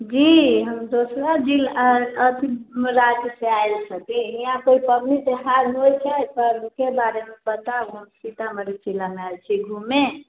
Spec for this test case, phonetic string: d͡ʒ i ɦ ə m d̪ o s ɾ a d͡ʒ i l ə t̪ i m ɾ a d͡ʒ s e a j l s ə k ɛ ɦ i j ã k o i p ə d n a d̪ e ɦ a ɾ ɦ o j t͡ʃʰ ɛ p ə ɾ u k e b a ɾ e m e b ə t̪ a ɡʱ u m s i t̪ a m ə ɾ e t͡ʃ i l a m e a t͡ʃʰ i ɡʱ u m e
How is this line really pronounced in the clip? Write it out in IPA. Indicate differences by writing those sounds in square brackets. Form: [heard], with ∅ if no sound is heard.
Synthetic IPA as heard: d͡ʒ i ɦ ə m d̪ o s ɾ a d͡ʒ i l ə t̪ i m ɾ a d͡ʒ s e a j l s ə k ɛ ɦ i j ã k o i p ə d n [i] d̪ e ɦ a ɾ ɦ o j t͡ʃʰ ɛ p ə ɾ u k e b a ɾ e m e b ə t̪ a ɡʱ u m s i t̪ a m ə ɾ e t͡ʃ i l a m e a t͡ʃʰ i ɡʱ u m e